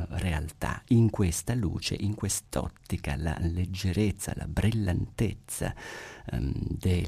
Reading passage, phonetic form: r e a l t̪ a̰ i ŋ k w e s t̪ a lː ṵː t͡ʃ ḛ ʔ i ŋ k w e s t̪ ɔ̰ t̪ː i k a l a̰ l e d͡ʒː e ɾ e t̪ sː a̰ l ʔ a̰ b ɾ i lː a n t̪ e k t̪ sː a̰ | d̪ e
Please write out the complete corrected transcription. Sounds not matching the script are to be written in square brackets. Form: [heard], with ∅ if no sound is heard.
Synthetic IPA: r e a l t̪ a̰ i ŋ k w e s t̪ a [l] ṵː t͡ʃ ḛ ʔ i ŋ k w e s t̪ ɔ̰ t̪ː i k a l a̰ l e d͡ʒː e ɾ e t̪ sː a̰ l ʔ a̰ b ɾ i lː a n t̪ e [∅] t̪ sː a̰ | d̪ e